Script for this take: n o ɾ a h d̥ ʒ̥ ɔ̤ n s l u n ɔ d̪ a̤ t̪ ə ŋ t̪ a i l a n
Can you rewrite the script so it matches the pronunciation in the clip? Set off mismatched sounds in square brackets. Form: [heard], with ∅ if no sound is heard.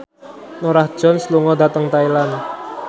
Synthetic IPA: n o ɾ a h d̥ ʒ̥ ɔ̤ n s l u [ŋ] ɔ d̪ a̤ t̪ ə ŋ t̪ a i l a n